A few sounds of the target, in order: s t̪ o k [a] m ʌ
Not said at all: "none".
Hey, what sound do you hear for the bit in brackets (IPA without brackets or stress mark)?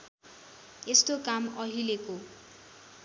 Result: a